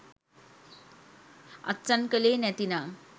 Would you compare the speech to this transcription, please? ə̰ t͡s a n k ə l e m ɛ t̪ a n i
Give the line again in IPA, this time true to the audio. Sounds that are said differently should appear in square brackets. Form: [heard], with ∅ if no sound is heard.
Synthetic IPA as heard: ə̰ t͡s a n k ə l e [n] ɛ t̪ [i] n [a]